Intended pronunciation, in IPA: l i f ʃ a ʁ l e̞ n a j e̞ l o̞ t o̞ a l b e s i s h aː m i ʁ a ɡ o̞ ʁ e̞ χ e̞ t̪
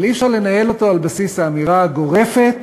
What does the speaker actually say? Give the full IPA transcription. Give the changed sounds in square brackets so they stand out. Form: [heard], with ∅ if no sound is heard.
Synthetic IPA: l i f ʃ a ʁ l e̞ n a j e̞ l o̞ t o̞ a l b [a] s i s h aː m i ʁ a ɡ o̞ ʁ e̞ [f] e̞ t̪